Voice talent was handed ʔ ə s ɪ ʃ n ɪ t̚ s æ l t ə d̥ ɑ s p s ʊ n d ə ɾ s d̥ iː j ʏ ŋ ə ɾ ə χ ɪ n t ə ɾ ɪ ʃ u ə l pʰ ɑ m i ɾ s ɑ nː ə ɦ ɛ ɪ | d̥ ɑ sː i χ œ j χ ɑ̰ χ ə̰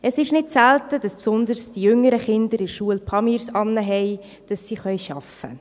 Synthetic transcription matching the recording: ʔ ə s ɪ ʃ n ɪ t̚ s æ l t ə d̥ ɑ s p s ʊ n d ə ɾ s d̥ i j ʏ ŋ ə ɾ ə χ ɪ n d ə ɾ ɪ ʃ u ə l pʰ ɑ m i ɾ s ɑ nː ə ɦ ɛ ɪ | d̥ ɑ sː i χ œ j ʃ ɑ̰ f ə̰